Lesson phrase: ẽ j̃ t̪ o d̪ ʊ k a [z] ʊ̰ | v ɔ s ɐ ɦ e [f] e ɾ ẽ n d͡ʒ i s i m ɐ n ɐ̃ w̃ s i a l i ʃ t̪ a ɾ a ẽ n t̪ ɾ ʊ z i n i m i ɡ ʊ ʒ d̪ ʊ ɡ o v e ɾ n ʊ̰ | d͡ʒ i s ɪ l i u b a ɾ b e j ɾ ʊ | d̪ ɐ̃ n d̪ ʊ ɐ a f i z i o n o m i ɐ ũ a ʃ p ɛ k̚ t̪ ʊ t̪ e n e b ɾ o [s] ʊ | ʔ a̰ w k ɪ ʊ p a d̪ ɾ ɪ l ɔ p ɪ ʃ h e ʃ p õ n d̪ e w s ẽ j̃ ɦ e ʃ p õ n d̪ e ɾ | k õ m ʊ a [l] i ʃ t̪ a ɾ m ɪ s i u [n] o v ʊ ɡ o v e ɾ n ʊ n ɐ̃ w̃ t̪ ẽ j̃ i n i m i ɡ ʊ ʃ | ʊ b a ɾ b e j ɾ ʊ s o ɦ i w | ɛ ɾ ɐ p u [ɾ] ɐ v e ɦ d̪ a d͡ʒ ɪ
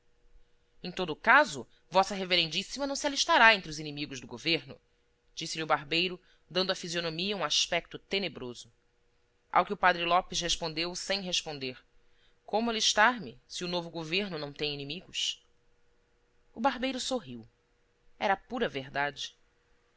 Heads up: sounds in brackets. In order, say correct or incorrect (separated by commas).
correct, incorrect, incorrect, correct, correct, correct